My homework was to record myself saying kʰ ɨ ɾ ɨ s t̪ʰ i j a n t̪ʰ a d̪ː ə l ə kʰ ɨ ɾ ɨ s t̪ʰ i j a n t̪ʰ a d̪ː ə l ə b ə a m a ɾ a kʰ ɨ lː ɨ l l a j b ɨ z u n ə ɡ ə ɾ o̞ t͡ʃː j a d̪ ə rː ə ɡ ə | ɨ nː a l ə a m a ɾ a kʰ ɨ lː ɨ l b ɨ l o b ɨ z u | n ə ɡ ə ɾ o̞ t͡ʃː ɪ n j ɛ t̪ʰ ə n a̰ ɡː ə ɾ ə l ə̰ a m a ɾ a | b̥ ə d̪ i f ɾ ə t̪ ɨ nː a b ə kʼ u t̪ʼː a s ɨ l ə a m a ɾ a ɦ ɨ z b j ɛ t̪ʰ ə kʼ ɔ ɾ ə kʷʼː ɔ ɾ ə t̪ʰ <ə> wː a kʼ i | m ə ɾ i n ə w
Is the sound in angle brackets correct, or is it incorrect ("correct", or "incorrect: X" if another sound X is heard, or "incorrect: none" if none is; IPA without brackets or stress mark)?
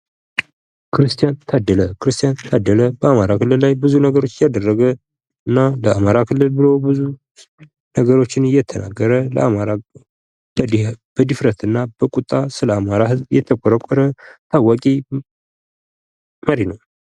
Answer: incorrect: a